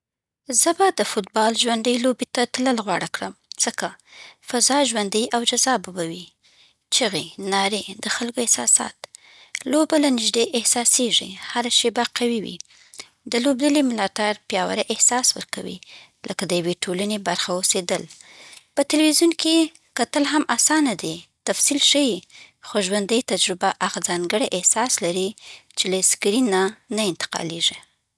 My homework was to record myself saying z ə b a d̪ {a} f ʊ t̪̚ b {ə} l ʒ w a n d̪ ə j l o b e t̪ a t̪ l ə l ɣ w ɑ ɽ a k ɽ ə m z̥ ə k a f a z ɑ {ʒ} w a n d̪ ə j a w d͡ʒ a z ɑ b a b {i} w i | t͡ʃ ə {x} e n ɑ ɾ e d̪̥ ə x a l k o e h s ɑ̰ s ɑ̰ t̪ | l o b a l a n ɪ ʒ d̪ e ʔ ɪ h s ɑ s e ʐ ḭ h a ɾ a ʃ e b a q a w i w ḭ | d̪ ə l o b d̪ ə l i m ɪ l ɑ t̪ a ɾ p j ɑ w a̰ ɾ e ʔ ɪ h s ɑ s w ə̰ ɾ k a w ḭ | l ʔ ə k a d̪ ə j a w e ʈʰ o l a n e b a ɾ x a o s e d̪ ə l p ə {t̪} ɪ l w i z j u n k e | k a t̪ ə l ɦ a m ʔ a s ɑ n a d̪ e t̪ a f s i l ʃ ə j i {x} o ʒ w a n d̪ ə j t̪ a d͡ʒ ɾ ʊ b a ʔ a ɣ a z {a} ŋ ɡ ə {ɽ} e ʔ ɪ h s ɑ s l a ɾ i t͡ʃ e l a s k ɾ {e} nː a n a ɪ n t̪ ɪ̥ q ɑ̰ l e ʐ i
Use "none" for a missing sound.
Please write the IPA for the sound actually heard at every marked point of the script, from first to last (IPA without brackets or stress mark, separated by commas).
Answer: ə, ɑ, ʒ, a, ɣ, t̪, x, ɑ, ɽ, i